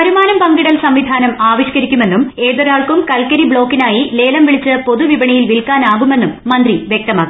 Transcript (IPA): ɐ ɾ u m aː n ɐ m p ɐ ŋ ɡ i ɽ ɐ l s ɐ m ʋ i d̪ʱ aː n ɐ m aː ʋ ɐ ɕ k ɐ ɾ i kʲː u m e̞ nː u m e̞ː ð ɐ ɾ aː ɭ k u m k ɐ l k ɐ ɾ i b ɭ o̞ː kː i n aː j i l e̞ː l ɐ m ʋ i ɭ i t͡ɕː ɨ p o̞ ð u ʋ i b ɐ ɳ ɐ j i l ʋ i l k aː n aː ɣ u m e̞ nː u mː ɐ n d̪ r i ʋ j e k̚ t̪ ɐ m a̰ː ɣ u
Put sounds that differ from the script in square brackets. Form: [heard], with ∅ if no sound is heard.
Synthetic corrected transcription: ɐ ɾ u m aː n ɐ m p ɐ ŋ ɡ i ɽ ɐ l s ɐ m ʋ i d̪ʱ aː n ɐ m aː ʋ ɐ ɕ k ɐ ɾ i kʲː u m e̞ nː u m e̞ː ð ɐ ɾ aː ɭ k u m k ɐ l k ɐ ɾ i b ɭ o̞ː kː i n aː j i l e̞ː l ɐ m ʋ i ɭ i t͡ɕː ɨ p o̞ ð u ʋ i b ɐ ɳ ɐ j i l ʋ i l k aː n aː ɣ u m e̞ nː u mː ɐ n d̪ r i ʋ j e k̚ t̪ ɐ m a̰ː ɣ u